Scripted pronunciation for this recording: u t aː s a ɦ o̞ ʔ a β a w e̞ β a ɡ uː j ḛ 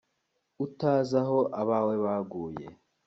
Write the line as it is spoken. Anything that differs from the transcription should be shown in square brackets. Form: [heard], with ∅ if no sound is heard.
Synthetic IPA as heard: u t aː [z] a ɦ o̞ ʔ a β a w e̞ β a ɡ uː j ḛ